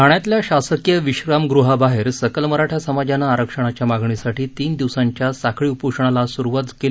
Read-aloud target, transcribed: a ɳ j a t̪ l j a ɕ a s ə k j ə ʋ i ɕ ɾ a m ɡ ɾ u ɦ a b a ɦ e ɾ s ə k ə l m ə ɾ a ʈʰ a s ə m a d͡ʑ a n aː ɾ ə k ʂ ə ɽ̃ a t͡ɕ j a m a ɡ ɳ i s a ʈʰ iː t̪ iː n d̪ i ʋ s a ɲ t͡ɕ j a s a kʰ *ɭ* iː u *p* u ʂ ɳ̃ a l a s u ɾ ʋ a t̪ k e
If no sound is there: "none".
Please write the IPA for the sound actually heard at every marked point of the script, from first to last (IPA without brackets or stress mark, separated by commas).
ɭ, p